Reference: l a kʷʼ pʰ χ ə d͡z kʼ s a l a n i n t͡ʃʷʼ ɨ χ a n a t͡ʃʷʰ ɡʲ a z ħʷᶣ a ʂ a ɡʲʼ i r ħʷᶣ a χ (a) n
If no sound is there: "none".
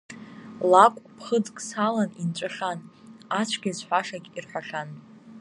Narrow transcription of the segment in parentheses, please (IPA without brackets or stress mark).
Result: a